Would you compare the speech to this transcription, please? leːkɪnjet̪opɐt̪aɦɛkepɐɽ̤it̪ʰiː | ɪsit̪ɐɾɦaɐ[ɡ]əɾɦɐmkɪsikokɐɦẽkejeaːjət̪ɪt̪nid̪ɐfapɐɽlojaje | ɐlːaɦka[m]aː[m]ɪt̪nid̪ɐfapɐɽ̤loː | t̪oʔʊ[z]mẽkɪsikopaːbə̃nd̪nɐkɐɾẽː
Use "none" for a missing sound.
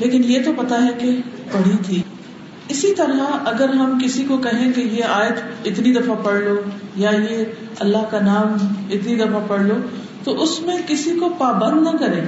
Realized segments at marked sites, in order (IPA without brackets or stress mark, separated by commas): ɡ, n, m, s